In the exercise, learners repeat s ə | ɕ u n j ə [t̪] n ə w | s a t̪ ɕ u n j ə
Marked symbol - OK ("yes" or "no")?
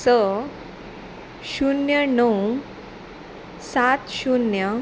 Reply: no